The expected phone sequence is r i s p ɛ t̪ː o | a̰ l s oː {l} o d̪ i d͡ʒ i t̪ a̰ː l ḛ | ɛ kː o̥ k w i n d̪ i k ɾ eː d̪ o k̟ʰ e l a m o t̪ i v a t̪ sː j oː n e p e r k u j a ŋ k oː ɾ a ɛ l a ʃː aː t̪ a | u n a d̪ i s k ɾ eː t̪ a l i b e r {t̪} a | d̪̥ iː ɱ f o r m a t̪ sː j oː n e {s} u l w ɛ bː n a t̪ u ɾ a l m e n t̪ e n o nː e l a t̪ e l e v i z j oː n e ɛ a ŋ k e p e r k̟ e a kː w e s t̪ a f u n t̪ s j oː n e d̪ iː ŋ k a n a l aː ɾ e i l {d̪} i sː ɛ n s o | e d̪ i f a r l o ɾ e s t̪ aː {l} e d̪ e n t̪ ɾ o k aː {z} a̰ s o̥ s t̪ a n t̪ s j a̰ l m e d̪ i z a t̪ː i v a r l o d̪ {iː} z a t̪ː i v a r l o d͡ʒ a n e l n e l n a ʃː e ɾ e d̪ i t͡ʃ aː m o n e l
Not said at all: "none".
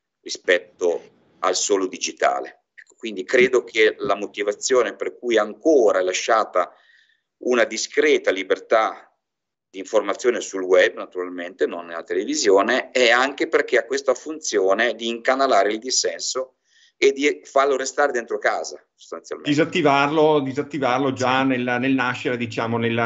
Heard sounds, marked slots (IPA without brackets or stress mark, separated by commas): l, t̪, s, d̪, ɾ, z, i